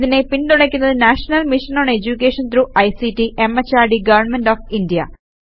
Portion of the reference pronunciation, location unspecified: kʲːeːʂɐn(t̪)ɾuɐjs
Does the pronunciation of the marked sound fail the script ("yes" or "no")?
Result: no